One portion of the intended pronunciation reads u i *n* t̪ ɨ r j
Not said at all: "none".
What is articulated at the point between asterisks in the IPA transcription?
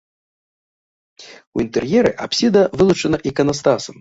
n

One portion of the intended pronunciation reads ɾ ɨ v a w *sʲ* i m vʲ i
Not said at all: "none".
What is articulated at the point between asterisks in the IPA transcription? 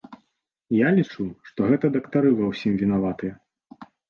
sʲ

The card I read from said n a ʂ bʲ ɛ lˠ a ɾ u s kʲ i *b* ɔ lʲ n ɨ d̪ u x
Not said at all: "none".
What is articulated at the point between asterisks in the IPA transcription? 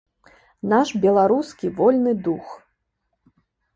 v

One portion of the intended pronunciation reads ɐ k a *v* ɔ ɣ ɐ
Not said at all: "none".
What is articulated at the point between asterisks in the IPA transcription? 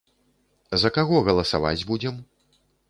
ɣ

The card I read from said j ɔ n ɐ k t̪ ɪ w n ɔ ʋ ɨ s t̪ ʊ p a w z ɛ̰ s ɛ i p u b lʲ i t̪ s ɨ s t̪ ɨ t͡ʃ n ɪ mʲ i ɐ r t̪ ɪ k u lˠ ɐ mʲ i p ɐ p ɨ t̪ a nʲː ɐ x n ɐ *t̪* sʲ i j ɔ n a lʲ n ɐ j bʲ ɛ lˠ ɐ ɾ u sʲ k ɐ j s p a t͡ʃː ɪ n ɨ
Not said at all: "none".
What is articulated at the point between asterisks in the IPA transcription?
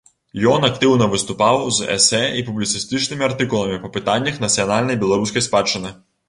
t̪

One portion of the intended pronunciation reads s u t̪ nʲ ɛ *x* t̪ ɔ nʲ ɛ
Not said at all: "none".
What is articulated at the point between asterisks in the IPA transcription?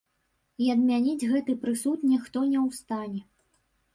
x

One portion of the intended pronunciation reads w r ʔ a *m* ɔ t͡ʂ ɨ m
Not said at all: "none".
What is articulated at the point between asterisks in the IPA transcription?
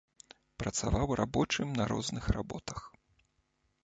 b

